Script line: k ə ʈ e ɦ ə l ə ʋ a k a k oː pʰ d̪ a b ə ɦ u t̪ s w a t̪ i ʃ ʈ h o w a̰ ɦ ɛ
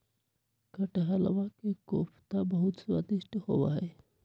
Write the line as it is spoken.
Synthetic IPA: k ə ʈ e ɦ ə l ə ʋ a k e k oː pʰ t̪ a b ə ɦ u t̪ s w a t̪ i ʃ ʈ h o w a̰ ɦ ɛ